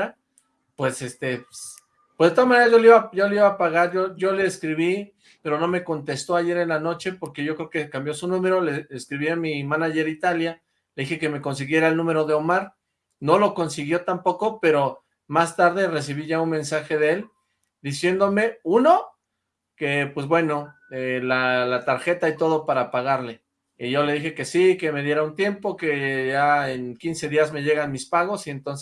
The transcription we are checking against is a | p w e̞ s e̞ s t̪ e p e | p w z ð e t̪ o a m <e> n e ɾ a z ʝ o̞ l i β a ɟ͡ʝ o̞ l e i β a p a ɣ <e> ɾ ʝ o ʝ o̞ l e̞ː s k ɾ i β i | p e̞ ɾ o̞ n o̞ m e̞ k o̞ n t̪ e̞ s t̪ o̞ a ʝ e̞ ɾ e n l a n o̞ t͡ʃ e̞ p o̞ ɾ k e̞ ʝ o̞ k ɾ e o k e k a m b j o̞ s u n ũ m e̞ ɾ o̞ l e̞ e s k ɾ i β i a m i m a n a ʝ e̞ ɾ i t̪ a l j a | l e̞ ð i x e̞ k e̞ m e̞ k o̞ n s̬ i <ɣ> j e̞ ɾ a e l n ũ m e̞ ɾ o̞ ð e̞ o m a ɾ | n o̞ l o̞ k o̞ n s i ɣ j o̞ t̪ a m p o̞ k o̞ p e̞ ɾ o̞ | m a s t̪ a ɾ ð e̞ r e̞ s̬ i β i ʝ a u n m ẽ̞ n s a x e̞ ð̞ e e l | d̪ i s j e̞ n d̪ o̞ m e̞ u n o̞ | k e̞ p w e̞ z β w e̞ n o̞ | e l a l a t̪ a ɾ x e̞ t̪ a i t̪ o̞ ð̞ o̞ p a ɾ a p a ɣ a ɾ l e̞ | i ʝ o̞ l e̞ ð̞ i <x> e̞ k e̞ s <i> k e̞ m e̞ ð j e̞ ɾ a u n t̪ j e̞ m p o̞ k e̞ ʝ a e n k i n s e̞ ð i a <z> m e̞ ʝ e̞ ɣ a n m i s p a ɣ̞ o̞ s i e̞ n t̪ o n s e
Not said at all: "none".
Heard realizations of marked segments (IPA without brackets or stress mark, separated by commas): a, a, ɣ, x, i, z